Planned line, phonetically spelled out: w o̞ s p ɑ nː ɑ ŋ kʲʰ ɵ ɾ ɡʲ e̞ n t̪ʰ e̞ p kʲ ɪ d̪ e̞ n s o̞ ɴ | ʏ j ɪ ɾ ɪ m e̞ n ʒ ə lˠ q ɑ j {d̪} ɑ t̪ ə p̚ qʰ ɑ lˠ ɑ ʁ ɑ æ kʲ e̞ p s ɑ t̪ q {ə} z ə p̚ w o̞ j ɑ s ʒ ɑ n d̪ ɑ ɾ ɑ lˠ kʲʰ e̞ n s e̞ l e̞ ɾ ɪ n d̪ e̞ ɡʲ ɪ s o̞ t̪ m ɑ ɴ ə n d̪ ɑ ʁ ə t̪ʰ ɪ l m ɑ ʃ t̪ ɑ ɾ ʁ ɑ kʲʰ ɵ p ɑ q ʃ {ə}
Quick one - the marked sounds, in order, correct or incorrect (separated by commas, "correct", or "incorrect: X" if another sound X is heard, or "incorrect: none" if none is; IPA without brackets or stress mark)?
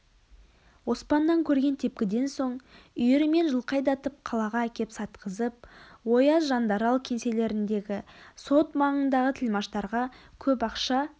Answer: correct, correct, incorrect: ɑ